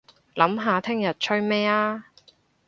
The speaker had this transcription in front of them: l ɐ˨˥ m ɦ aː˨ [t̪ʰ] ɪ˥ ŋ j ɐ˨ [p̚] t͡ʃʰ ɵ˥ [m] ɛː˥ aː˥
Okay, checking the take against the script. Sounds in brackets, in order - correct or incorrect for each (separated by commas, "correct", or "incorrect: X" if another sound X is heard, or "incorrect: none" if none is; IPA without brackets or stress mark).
correct, incorrect: t̚, correct